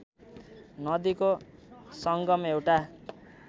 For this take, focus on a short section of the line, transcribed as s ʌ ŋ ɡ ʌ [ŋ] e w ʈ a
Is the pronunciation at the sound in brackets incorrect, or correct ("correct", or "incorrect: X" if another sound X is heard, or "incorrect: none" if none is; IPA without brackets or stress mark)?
incorrect: m